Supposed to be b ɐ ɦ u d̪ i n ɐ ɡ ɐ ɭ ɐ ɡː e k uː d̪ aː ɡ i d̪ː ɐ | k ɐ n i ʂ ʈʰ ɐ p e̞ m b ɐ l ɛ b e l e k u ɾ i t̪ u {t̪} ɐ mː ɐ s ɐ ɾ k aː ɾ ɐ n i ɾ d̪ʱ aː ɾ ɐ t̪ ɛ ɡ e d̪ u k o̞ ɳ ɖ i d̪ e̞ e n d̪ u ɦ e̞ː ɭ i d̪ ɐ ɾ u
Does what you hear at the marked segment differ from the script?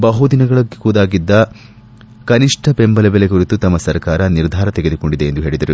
no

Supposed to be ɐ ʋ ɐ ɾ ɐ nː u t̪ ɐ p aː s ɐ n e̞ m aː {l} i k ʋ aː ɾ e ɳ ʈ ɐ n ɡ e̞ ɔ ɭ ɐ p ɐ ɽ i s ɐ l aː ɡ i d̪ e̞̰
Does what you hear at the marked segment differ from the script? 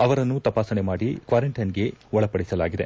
yes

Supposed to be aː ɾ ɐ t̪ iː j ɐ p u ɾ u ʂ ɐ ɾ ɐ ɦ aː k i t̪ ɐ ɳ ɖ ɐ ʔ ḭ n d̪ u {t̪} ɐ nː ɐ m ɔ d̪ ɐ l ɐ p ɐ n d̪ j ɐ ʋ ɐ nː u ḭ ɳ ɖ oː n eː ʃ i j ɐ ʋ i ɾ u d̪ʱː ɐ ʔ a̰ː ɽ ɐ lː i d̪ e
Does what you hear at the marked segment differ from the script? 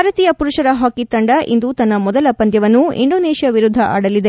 no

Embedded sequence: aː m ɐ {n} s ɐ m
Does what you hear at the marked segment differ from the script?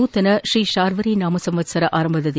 yes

